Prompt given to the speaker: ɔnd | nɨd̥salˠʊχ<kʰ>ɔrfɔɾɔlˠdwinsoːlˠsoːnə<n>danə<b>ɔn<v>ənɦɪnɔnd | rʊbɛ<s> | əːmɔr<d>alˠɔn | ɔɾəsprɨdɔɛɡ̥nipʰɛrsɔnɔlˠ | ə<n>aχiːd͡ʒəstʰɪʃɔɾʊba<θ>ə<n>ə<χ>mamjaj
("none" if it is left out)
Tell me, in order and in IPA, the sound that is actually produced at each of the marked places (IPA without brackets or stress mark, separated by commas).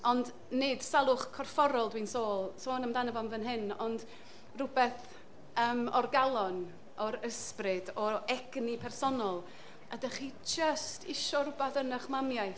kʰ, m, v, v, θ, ɡ, d, θ, n, χ